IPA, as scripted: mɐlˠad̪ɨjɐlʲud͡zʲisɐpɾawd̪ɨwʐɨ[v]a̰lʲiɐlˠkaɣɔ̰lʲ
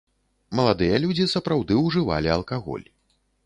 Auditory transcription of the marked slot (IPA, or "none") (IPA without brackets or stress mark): v